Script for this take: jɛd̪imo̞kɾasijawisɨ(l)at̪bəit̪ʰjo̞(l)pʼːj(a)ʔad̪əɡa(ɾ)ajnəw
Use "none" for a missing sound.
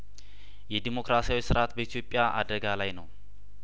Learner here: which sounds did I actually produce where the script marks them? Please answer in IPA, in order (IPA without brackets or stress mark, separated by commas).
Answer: ɾ, none, a, l